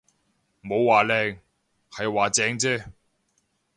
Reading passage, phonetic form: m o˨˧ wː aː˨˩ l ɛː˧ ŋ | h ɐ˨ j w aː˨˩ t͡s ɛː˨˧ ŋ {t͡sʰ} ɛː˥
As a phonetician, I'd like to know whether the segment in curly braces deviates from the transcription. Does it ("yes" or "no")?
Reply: yes